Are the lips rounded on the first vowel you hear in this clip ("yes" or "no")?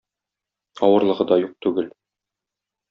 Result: yes